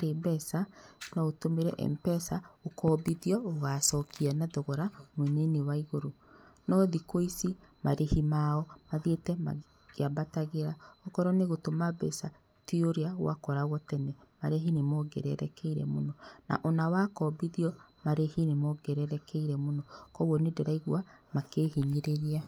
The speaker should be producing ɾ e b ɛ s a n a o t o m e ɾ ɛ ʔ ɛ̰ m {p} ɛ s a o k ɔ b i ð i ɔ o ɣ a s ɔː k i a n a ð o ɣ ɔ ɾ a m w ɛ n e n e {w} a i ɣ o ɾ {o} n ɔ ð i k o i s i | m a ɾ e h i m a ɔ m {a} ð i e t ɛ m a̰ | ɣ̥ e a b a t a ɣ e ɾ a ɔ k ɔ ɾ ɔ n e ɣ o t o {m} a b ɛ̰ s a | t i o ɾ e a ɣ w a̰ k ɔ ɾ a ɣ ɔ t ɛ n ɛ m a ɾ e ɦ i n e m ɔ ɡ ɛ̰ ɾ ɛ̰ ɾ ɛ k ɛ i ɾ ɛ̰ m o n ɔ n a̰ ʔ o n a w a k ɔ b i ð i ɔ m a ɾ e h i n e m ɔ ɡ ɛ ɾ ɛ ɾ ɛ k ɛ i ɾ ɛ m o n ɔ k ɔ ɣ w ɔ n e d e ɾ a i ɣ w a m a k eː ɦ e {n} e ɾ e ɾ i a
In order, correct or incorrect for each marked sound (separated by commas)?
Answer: correct, correct, correct, correct, correct, incorrect